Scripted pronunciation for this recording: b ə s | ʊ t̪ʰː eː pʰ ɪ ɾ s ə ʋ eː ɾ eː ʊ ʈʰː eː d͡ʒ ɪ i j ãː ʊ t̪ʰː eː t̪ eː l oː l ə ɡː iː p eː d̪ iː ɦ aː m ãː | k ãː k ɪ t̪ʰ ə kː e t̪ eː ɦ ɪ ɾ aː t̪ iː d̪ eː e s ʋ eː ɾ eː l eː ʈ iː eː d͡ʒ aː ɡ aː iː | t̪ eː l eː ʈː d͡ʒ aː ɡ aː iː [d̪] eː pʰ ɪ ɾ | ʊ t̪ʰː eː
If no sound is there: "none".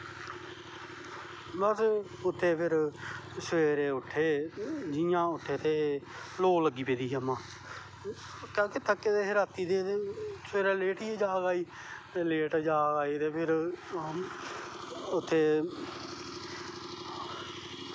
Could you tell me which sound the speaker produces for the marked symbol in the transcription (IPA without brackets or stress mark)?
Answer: t̪